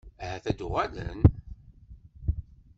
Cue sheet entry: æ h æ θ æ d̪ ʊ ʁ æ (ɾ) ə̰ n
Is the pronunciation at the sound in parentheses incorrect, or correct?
incorrect